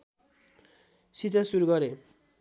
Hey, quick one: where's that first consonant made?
tongue tip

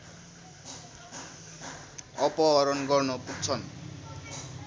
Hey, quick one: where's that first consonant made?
lips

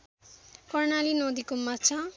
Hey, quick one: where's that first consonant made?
velum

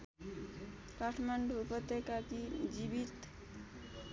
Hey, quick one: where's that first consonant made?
velum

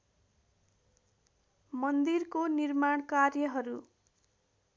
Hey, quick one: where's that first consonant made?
lips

